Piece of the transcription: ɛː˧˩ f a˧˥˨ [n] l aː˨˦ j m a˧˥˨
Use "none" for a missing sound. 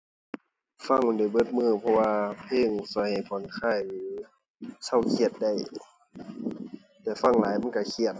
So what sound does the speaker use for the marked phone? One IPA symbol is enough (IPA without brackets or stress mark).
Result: ŋ